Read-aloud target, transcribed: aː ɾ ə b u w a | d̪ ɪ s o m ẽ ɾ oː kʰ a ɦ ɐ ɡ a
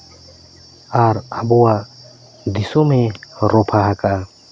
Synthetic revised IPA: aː ɾ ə b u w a | d̪ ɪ s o m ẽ ɾ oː pʰ a ɦ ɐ k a